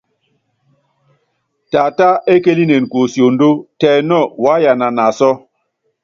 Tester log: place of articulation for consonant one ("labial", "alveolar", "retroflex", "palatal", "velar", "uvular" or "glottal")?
alveolar